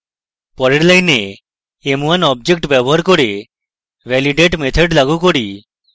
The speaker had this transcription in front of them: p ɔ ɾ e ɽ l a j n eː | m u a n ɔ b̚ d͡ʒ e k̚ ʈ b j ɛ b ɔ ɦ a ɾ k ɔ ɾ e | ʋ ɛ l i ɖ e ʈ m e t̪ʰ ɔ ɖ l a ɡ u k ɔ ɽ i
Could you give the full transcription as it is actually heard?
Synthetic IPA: p ɔ ɾ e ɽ l a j n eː | m u a n ɔ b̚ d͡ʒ e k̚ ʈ b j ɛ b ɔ ɦ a ɾ k ɔ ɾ e | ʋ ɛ l i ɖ e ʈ m e t̪ʰ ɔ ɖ l a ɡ u k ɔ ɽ i